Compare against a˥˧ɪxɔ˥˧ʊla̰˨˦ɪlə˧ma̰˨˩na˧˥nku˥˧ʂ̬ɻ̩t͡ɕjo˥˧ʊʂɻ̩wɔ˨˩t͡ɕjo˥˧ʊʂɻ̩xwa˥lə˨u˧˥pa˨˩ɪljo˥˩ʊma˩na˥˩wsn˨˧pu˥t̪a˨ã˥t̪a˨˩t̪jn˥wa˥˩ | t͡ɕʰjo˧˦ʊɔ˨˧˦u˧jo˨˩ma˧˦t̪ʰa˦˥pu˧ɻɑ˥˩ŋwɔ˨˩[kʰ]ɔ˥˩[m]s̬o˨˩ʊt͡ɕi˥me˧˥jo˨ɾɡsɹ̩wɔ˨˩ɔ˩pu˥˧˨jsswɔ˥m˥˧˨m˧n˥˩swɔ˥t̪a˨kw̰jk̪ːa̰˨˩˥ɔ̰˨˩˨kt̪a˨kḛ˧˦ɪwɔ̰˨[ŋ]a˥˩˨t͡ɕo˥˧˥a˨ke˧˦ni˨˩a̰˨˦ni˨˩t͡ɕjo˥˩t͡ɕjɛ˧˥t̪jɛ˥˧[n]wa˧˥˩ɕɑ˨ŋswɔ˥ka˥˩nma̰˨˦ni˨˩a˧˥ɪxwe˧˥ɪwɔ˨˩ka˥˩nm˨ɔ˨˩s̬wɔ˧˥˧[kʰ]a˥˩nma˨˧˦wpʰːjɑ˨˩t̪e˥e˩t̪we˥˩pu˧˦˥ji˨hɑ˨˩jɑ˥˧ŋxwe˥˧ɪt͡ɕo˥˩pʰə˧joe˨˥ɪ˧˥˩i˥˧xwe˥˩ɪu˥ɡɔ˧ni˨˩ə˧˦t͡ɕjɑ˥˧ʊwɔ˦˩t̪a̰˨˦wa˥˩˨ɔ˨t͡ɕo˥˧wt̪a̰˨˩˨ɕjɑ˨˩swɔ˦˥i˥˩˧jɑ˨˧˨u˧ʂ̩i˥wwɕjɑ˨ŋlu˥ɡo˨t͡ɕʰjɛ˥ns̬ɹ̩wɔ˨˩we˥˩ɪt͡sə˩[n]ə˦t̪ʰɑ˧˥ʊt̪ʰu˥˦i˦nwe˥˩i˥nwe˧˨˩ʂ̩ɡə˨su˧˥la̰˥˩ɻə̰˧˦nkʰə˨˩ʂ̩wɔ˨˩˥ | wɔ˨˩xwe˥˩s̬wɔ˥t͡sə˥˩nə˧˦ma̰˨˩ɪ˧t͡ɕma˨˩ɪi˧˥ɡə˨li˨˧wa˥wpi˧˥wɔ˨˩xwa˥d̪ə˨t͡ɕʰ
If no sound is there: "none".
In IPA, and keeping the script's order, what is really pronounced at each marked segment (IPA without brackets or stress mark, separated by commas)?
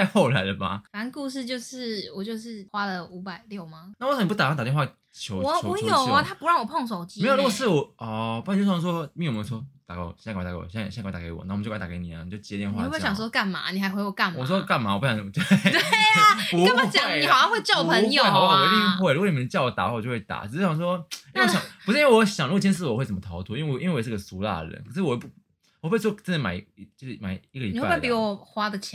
pʰ, ŋ, n, n, k, m